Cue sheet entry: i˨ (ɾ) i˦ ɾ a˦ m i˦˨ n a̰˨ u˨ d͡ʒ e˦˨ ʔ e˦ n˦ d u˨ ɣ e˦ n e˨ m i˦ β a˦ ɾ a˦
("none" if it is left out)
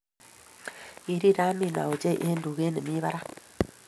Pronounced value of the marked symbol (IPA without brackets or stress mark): ɾ